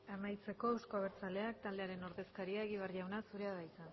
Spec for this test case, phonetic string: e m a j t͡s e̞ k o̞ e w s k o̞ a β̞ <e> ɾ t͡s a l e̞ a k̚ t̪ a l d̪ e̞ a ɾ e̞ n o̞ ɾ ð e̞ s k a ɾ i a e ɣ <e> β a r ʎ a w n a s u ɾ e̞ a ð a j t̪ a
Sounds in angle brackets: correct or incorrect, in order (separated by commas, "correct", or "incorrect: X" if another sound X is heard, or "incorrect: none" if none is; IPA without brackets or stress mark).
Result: correct, incorrect: i